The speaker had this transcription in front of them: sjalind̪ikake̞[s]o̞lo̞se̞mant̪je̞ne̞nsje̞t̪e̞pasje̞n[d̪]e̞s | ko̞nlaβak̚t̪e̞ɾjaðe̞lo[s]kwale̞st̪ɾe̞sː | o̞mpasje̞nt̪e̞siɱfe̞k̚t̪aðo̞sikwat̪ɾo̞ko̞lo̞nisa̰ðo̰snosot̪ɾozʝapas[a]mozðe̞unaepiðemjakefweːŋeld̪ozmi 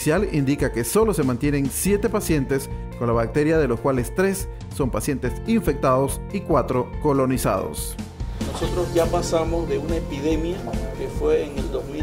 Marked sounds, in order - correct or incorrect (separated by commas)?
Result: correct, incorrect, correct, correct